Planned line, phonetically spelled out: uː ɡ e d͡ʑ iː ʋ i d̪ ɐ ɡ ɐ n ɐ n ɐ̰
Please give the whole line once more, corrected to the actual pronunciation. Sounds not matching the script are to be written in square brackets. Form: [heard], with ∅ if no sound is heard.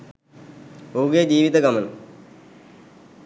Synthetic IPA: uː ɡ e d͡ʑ iː ʋ i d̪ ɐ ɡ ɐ [m] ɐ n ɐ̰